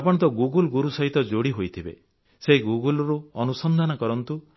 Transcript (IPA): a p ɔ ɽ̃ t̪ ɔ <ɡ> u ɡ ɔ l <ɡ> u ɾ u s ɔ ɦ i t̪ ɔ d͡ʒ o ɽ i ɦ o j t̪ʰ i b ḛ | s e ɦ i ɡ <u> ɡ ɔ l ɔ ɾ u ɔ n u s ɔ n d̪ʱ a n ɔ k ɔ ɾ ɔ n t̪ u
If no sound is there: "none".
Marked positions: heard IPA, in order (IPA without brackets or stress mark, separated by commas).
ɡ, ɡ, u